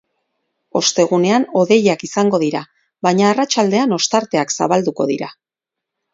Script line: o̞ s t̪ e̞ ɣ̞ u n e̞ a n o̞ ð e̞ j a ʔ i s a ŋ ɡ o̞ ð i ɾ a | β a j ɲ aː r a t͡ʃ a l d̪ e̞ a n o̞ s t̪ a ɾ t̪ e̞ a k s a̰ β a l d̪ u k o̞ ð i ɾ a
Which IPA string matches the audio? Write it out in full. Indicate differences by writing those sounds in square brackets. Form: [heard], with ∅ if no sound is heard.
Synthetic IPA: o̞ s t̪ e̞ ɣ̞ u n e̞ a n o̞ ð e̞ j a [k] i s a ŋ ɡ o̞ ð i ɾ a | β a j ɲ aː r a t͡ʃ a l d̪ e̞ a n o̞ s t̪ a ɾ t̪ e̞ a k s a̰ β a l d̪ u k o̞ ð i ɾ a